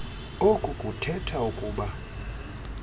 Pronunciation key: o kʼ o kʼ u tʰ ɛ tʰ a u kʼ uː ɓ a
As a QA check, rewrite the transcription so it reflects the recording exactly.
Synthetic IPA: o kʼ u kʼ u tʰ ɛ tʰ a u kʼ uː ɓ a